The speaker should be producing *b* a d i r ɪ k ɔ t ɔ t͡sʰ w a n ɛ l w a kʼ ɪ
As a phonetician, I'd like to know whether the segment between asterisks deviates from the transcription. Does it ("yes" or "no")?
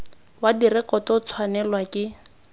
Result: yes